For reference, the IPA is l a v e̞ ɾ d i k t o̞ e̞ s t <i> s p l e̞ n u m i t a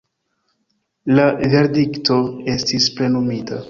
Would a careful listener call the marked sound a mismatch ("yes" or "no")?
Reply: no